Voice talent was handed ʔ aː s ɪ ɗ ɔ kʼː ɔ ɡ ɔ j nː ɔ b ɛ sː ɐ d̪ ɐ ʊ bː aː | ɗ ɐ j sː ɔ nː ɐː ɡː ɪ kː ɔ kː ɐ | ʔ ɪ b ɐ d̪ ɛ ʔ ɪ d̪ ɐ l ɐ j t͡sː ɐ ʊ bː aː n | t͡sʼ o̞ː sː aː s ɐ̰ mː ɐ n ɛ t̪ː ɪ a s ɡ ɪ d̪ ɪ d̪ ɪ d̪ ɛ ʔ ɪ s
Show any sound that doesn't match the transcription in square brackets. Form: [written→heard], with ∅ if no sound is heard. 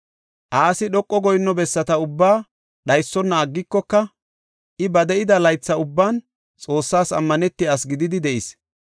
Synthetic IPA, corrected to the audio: ʔ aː s ɪ ɗ ɔ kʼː ɔ ɡ ɔ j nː ɔ b ɛ sː ɐ [d̪→t̪] ɐ ʊ bː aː | ɗ ɐ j sː ɔ nː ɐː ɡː ɪ kː ɔ kː ɐ | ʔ ɪ b ɐ d̪ ɛ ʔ ɪ d̪ ɐ l ɐ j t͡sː ɐ ʊ bː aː n | t͡sʼ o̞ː sː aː s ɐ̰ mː ɐ n ɛ t̪ː ɪ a s ɡ ɪ d̪ ɪ d̪ ɪ d̪ ɛ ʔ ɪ s